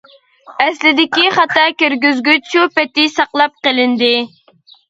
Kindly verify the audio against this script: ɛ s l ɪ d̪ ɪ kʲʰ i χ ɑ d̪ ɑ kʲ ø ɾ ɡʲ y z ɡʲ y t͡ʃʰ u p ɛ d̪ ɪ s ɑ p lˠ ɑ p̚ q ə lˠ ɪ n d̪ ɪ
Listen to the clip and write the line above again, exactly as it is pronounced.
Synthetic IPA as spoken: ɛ s l ɪ d̪ ɪ kʲ i χ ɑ t̪ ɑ kʲ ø ɾ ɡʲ y z ɡʲ y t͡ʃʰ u p ɛ t̪ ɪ s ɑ q lˠ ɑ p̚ q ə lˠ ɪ n d̪ ɪ